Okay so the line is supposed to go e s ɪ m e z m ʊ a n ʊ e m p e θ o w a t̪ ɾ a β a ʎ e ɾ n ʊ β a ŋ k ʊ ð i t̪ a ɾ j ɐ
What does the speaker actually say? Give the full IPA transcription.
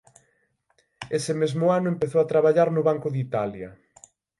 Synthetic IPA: e s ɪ m e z m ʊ a n ʊ e m p e θ o w a t̪ ɾ a β a ʎ a ɾ n ʊ β a ŋ k ʊ ð i t̪ a l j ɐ